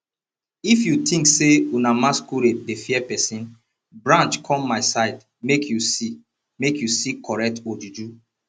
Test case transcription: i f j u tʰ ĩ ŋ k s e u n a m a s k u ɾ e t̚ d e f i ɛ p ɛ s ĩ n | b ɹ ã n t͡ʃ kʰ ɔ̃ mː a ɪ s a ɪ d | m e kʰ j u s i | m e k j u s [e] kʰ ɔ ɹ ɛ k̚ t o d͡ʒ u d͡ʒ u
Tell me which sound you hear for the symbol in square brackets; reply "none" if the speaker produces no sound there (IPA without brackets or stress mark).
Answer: i